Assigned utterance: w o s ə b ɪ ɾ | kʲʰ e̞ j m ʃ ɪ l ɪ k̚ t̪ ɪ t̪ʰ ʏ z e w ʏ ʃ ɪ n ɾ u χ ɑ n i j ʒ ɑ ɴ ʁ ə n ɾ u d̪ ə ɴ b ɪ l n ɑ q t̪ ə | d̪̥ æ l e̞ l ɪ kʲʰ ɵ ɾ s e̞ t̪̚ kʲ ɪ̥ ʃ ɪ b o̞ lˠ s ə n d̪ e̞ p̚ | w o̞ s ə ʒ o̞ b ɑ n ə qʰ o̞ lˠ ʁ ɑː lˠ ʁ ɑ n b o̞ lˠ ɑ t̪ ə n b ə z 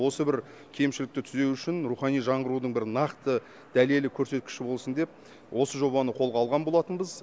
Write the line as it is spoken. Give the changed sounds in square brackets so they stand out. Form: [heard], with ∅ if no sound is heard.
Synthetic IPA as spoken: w o s ə b ɪ ɾ | kʲʰ e̞ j m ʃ ɪ l ɪ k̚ t̪ ɪ t̪ʰ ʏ z e w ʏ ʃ ɪ n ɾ u χ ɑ n i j ʒ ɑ ɴ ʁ ə [∅] ɾ u d̪ ə ɴ b ɪ [ɾ] n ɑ q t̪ ə | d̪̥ æ l e̞ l ɪ kʲʰ ɵ ɾ s e̞ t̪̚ kʲ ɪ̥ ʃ ɪ b o̞ lˠ s ə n d̪ e̞ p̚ | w o̞ s ə ʒ o̞ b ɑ n ə qʰ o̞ lˠ ʁ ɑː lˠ ʁ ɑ n b o̞ lˠ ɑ t̪ ə n b ə z

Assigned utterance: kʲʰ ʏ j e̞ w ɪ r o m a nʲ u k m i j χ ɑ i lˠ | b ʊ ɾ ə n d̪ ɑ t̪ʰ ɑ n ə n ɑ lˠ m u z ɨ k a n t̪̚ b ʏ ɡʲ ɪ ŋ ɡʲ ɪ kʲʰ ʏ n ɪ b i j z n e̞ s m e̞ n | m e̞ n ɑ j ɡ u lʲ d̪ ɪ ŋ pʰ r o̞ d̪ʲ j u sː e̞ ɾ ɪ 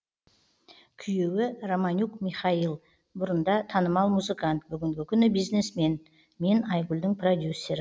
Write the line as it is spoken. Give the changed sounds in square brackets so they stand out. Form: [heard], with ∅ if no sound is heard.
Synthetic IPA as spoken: kʲʰ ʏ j e̞ w ɪ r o m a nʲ u k m i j χ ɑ i lˠ | b ʊ ɾ ə n d̪ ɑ t̪ʰ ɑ n ə [m] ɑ lˠ m u z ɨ k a n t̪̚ b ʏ ɡʲ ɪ ŋ ɡʲ ɪ kʲʰ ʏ n ɪ b i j z n e̞ s m e̞ n | m e̞ n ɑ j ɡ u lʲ d̪ ɪ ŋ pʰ r o̞ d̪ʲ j u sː e̞ ɾ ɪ

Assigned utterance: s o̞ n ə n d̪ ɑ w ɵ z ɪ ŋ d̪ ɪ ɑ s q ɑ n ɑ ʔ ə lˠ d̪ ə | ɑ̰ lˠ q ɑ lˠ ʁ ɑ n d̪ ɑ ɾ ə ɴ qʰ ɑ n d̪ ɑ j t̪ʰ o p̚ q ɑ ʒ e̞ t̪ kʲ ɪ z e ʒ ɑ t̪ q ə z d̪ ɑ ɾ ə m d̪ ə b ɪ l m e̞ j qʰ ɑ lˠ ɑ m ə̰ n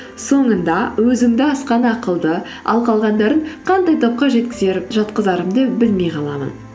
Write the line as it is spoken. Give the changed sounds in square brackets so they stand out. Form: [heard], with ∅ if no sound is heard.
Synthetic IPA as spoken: s o̞ [ɴ] ə n d̪ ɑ w ɵ z ɪ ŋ d̪ ɪ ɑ s q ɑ n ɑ [q] ə lˠ d̪ ə | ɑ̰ lˠ q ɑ lˠ ʁ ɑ n d̪ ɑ ɾ ə ɴ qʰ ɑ n d̪ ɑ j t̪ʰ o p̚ q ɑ ʒ e̞ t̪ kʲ ɪ z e ʒ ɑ t̪ q ə z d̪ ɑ ɾ ə m d̪ ə b ɪ l m e̞ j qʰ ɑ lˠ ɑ m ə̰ n

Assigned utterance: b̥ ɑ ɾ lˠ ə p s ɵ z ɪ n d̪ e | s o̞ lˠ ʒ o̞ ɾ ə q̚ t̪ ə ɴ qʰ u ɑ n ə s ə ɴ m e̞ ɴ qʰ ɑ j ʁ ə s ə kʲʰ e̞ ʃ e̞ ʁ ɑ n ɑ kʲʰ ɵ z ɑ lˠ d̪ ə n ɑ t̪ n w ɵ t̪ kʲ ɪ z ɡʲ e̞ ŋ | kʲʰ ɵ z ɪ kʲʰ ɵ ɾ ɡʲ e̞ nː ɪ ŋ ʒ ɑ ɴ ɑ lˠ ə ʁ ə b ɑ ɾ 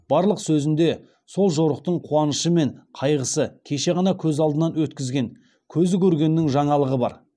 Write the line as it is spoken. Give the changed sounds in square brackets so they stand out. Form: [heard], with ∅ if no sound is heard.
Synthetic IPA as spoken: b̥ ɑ ɾ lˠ ə [q] s ɵ z ɪ n d̪ e | s o̞ lˠ ʒ o̞ ɾ ə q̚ t̪ ə ɴ qʰ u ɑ n ə [ʃ] ə [∅] m e̞ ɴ qʰ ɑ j ʁ ə s ə kʲʰ e̞ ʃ e̞ ʁ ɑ n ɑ kʲʰ ɵ z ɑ lˠ d̪ ə n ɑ [∅] n w ɵ t̪ kʲ ɪ z ɡʲ e̞ ŋ | kʲʰ ɵ z ɪ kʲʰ ɵ ɾ ɡʲ e̞ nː ɪ ŋ ʒ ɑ ɴ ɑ lˠ ə ʁ ə b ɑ ɾ

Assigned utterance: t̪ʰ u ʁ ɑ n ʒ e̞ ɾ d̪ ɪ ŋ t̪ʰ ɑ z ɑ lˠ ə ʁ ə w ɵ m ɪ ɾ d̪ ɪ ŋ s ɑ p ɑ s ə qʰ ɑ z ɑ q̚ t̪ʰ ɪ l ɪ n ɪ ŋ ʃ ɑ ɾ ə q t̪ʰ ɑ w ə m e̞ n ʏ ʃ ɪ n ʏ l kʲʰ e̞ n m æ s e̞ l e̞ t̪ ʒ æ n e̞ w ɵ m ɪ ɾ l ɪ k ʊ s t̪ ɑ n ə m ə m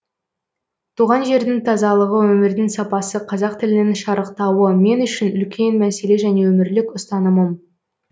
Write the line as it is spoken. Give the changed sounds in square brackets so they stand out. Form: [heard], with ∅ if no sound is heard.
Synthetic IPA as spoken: t̪ʰ u ʁ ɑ n ʒ e̞ ɾ d̪ ɪ ŋ t̪ʰ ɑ z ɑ lˠ ə ʁ ə w ɵ m ɪ ɾ d̪ ɪ ŋ s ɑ p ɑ s ə qʰ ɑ z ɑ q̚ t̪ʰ ɪ l ɪ n ɪ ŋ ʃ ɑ ɾ ə q [t̪] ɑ w ə m e̞ n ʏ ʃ ɪ n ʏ l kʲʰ e̞ n m æ s e̞ l e̞ [∅] ʒ æ n e̞ w ɵ m ɪ ɾ l ɪ k ʊ s t̪ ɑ n ə m ə m

